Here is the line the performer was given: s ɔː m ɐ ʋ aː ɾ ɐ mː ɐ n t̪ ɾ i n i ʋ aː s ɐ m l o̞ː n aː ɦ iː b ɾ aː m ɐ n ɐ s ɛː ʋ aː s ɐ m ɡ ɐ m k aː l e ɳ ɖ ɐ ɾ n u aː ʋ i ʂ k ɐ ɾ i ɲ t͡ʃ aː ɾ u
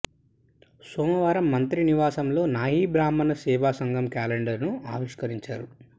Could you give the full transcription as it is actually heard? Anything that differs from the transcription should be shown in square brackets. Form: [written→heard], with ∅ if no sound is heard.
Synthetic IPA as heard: s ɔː m ɐ ʋ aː ɾ ɐ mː ɐ n t̪ ɾ i n i ʋ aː s ɐ m l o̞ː n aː ɦ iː b ɾ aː m ɐ n ɐ s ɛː ʋ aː s ɐ [m→ŋ] ɡ ɐ m k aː l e ɳ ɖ ɐ ɾ n u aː ʋ i ʂ k ɐ ɾ i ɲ t͡ʃ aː ɾ u